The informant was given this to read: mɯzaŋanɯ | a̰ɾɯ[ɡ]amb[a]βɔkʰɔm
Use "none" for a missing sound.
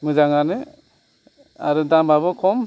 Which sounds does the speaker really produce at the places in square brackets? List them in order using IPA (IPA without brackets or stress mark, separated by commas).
d, a